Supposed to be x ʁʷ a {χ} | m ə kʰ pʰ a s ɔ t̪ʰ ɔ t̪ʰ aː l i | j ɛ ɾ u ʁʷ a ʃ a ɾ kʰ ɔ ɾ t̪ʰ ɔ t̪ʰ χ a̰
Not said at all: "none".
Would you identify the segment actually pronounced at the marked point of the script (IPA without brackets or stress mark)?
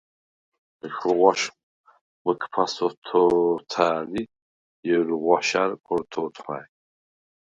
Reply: ʃ